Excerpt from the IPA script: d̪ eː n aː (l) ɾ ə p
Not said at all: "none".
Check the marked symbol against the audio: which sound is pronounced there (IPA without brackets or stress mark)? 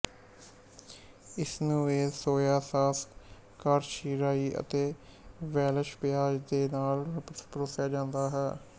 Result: l